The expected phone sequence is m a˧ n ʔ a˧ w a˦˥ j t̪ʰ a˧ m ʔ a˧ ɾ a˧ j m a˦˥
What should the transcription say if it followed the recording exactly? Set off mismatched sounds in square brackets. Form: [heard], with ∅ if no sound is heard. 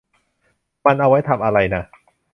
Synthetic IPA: m a˧ n ʔ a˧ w a˦˥ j t̪ʰ a˧ m ʔ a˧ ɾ a˧ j [n] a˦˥